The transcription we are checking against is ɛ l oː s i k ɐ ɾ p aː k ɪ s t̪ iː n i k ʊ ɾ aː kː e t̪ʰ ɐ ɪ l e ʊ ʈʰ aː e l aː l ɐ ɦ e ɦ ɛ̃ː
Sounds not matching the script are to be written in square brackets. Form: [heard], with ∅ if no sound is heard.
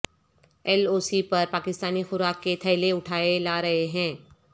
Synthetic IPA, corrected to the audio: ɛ l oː s i [p] ɐ ɾ p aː k ɪ s t̪ [aː] n i [x] ʊ ɾ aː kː e t̪ʰ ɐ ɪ l e ʊ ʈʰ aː e l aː [ɾ] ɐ ɦ e ɦ ɛ̃ː

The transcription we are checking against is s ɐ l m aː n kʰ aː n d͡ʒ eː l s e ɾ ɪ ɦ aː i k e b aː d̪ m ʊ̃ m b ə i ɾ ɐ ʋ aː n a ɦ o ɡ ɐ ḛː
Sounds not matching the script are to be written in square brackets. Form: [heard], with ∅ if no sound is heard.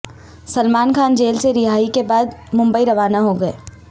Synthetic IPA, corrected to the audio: s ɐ l m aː n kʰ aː n d͡ʒ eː l s e ɾ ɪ ɦ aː i k e b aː d̪ m ʊ̃ m b ə i ɾ ɐ ʋ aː n a ɦ o ɡ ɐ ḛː

